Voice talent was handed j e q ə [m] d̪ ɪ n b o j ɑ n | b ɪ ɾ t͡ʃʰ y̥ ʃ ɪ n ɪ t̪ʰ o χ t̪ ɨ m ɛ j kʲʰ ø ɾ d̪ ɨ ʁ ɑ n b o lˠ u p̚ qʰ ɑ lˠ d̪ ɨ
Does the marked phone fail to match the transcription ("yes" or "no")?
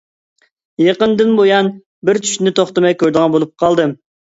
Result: yes